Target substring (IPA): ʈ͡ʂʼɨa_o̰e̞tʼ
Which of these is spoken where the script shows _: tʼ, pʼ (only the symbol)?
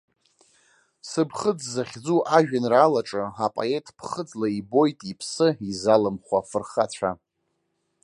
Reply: pʼ